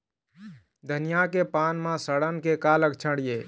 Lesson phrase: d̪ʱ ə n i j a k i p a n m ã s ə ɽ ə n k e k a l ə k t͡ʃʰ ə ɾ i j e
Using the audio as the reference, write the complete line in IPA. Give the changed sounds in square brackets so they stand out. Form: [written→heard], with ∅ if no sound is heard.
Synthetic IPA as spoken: d̪ʱ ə n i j a k [i→e] p a n m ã s ə ɽ ə n k e k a l ə k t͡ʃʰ ə [ɾ→ɽ] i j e